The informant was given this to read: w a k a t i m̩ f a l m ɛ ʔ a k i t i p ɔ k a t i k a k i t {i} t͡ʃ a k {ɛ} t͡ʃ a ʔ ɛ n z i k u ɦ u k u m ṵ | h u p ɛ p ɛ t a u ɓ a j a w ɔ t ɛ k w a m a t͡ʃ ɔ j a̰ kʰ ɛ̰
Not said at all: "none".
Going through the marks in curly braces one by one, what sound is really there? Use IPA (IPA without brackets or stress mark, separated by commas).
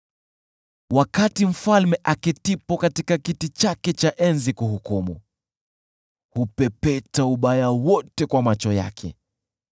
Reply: i, ɛ